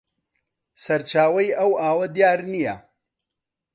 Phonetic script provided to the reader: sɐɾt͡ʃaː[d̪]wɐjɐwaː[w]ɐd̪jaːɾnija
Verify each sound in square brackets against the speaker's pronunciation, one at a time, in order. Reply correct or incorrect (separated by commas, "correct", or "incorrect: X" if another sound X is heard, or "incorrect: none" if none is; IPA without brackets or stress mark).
incorrect: none, correct